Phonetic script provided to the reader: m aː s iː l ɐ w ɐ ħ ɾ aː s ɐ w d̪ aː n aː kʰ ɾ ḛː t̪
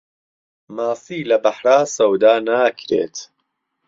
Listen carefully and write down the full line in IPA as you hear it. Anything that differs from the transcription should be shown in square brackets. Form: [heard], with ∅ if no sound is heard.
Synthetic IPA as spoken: m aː s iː l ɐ [b] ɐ ħ ɾ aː s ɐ w d̪ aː n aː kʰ ɾ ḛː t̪